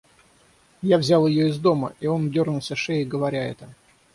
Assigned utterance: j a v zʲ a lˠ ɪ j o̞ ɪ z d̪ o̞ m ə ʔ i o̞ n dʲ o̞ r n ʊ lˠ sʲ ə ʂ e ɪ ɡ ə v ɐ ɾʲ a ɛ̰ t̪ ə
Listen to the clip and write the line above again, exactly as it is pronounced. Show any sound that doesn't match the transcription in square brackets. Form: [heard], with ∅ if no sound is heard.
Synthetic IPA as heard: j a v zʲ a lˠ ɪ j o̞ ɪ z d̪ o̞ m ə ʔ i o̞ n dʲ o̞ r n ʊ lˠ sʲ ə ʂ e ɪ ɡ ə v ɐ ɾʲ a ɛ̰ t̪ ə